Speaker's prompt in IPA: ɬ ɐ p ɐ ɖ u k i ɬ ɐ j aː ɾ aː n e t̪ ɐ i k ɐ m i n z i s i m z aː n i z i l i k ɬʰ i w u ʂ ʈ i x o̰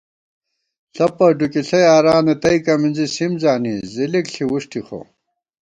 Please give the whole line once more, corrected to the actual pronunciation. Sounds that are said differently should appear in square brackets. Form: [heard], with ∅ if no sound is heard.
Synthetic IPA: ɬ ɐ p ɐ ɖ u k i ɬ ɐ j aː ɾ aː n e t̪ ɐ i k ɐ m i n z i s i m z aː n i z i l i k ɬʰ i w u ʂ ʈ i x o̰